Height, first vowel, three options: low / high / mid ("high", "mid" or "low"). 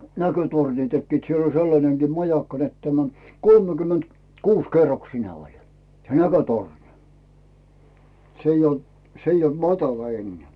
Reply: low